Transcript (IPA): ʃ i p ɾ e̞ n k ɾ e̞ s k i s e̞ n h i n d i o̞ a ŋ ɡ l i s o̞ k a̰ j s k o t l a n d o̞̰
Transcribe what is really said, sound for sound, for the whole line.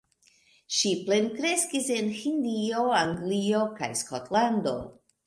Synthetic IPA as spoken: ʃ i p l e̞ n k ɾ e̞ s k i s e̞ n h i n d i o̞ a ŋ ɡ l i o̞ k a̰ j s k o t l a n d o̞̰